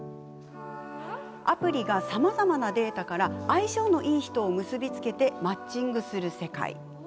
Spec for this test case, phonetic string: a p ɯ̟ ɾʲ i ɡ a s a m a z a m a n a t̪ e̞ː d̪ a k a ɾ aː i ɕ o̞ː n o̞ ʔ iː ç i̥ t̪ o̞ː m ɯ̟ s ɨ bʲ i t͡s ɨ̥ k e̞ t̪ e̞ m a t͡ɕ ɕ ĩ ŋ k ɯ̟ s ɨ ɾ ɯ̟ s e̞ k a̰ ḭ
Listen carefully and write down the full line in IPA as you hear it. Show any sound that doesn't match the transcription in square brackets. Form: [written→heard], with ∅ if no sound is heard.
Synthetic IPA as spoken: a p ɯ̟ ɾʲ i ɡ a s a m a z a m a n a [t̪→d̪] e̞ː [d̪→t̪] a k a ɾ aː i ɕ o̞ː n o̞ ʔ iː ç i̥ t̪ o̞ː m ɯ̟ s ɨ bʲ i t͡s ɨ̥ k e̞ t̪ e̞ m a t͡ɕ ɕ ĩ ŋ [k→ɡ] ɯ̟ s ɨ ɾ ɯ̟ s e̞ k a̰ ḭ